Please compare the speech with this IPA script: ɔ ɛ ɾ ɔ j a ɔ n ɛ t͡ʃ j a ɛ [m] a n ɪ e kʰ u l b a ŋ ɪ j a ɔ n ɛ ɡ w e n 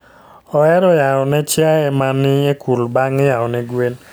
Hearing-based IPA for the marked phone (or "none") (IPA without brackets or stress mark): m